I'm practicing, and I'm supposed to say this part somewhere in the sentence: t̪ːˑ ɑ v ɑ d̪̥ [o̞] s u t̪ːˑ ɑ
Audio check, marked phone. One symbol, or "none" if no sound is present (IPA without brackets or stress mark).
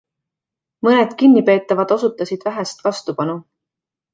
o̞